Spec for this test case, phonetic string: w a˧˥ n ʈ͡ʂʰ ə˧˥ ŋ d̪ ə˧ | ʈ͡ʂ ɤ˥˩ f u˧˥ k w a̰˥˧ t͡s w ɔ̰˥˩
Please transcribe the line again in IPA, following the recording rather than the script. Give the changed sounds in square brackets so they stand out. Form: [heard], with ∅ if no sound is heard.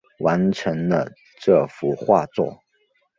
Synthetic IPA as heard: w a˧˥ n ʈ͡ʂʰ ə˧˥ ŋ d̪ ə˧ | ʈ͡ʂ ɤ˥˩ f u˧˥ [x] w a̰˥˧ t͡s w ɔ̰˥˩